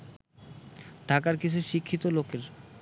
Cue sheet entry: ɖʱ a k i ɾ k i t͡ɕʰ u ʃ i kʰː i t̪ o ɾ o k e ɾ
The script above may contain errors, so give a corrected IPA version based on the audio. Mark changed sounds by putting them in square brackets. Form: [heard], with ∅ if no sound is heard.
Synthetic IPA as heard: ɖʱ a k [a] ɾ k i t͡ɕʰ u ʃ i kʰː i t̪ o [l] o k e ɾ